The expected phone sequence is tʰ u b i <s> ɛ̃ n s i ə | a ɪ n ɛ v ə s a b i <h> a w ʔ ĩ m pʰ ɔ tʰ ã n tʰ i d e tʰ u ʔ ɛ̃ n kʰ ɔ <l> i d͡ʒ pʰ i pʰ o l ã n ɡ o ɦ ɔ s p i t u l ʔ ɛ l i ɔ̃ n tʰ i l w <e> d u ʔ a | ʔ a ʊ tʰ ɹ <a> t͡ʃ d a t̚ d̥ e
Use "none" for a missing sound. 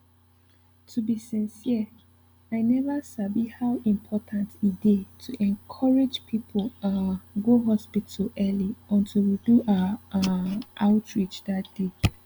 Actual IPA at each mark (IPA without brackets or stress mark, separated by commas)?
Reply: s, h, ɹ, i, i